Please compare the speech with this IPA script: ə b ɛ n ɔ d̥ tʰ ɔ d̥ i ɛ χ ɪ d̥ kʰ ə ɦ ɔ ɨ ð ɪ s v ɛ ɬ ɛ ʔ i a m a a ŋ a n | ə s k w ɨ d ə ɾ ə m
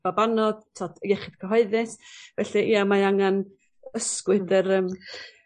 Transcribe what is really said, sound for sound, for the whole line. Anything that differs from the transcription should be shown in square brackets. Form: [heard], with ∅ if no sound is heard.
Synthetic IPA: [a] b [a] n ɔ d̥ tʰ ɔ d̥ [j] ɛ χ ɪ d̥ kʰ ə ɦ ɔ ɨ ð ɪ s v ɛ ɬ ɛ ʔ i a m a a ŋ a n | ə s k w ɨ d ə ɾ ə m